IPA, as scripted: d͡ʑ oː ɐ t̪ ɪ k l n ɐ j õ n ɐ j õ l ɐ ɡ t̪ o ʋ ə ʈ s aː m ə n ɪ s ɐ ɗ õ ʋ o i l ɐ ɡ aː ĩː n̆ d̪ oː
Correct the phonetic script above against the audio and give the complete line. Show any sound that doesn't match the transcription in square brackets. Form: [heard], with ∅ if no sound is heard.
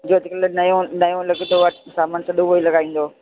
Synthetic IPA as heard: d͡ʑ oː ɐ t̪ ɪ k l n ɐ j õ n ɐ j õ l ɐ ɡ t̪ o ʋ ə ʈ s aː m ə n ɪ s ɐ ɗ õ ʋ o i l ɐ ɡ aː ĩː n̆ d̪ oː